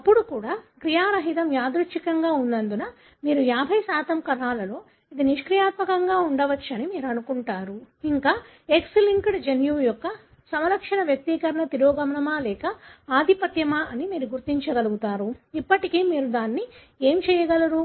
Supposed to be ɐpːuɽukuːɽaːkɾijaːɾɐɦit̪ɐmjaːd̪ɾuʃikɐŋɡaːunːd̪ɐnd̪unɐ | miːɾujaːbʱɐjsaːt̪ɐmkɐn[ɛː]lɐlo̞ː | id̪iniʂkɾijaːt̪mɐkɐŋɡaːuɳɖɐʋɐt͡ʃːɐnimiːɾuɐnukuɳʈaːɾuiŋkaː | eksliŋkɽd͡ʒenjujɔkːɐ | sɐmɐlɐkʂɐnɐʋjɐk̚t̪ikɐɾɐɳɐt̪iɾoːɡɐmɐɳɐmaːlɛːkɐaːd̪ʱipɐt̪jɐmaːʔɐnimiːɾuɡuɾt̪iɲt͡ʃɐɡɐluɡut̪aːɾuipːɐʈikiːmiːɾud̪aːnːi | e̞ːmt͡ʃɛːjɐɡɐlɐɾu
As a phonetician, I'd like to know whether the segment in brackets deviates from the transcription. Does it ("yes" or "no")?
yes